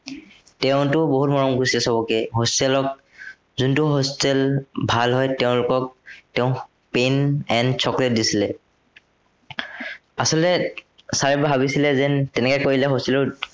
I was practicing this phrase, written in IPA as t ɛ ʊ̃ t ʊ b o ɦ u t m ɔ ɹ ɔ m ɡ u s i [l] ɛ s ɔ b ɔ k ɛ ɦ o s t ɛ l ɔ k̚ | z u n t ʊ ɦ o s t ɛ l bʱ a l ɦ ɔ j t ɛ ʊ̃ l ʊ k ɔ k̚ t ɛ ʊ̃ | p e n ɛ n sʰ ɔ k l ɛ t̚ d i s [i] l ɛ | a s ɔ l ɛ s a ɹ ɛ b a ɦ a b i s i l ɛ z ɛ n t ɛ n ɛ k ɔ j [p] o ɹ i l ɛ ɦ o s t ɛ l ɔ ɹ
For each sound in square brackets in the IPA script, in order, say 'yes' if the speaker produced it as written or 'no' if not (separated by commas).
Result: yes, yes, no